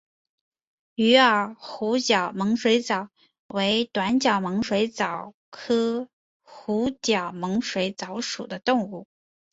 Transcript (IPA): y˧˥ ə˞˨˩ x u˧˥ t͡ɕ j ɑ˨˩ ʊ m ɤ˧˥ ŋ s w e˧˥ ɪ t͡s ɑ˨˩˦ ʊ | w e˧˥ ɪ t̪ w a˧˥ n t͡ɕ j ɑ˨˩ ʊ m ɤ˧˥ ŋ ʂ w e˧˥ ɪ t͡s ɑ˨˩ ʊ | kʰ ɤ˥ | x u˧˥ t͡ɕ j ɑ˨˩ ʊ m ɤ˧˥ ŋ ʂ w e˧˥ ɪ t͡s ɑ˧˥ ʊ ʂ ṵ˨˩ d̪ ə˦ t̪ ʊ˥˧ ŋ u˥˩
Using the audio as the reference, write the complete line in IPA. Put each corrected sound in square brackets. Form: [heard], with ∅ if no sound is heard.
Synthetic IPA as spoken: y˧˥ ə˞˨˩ x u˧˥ t͡ɕ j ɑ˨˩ ʊ m ɤ˧˥ ŋ [ʂ] w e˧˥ ɪ t͡s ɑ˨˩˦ ʊ | w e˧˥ ɪ t̪ w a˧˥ n t͡ɕ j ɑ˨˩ ʊ m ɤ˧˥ ŋ ʂ w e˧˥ ɪ t͡s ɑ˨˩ ʊ | kʰ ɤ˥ | x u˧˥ t͡ɕ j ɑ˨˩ ʊ m ɤ˧˥ ŋ ʂ w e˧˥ ɪ t͡s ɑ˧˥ ʊ ʂ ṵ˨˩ d̪ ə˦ t̪ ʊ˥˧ ŋ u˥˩